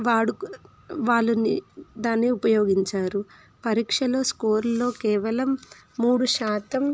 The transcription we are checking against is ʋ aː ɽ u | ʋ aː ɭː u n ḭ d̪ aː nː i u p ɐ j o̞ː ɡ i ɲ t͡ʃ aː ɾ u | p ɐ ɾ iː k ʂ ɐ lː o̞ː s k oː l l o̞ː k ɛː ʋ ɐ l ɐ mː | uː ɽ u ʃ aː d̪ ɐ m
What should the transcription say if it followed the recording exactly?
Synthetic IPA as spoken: ʋ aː ɽ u | ʋ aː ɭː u n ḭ d̪ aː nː i u p ɐ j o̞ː ɡ i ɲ t͡ʃ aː ɾ u | p ɐ ɾ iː k ʂ ɐ l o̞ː s k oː ɾ l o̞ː k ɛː ʋ ɐ l ɐ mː | uː ɽ u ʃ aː t̪ ɐ m